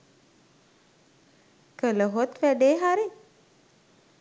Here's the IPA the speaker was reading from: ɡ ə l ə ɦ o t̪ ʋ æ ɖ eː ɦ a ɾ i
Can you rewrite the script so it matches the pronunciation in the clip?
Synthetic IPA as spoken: k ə l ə ɦ o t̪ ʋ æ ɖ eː ɦ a ɾ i